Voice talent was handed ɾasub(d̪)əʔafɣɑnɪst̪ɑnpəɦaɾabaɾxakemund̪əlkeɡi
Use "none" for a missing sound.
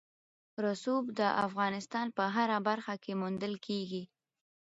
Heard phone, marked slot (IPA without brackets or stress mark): d̪